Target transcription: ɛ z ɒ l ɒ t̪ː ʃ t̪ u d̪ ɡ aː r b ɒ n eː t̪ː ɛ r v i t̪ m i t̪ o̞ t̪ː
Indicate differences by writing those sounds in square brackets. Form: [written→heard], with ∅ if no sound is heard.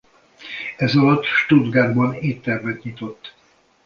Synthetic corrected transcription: ɛ z ɒ l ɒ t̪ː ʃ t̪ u d̪ ɡ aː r b ɒ n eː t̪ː ɛ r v [i→ɛ] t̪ [m→ɲ] i t̪ o̞ t̪ː